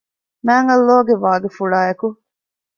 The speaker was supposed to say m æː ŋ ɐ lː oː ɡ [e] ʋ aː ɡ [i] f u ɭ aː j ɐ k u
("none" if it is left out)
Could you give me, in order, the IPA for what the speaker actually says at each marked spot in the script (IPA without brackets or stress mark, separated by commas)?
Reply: e, e